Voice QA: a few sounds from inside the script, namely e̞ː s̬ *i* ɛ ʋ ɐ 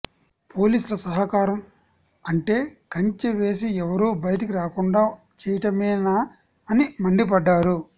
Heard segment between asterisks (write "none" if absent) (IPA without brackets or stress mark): i